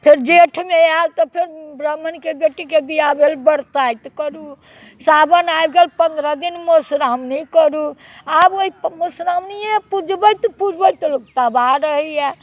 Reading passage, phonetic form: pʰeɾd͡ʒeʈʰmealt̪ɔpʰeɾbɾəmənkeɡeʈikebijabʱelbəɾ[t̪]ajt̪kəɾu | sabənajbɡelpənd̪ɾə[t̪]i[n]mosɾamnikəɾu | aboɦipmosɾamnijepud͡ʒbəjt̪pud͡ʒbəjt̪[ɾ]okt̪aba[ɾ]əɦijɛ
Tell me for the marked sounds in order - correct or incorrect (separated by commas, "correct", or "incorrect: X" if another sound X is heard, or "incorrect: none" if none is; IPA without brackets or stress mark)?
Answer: correct, incorrect: d̪, correct, incorrect: l, correct